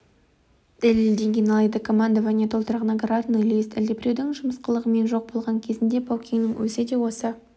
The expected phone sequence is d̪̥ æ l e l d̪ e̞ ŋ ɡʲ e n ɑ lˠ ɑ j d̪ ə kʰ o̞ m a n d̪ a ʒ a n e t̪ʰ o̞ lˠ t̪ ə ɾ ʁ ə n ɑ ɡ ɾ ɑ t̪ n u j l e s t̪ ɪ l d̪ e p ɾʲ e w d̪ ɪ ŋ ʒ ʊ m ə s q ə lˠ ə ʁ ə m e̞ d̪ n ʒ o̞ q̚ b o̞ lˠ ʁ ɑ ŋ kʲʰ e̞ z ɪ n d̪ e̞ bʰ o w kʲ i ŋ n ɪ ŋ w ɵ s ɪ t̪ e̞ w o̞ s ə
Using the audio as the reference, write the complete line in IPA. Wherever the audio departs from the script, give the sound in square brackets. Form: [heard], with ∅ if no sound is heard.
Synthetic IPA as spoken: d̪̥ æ l e l d̪ e̞ ŋ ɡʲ e n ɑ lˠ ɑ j d̪ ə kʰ o̞ m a n d̪ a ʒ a n e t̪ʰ o̞ lˠ t̪ ə ɾ ʁ ə n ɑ ɡ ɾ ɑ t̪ n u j l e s t̪ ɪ l d̪ e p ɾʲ e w d̪ ɪ ŋ ʒ ʊ m ə s q ə lˠ ə ʁ ə m e̞ [∅] n ʒ o̞ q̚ b o̞ lˠ ʁ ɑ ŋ kʲʰ e̞ z ɪ n d̪ e̞ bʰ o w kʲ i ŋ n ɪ ŋ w ɵ s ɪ [d̪] e̞ w o̞ s ə